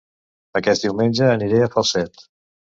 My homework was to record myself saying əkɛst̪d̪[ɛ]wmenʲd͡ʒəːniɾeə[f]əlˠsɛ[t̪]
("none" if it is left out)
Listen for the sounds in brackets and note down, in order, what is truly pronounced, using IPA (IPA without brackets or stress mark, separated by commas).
i, f, t̪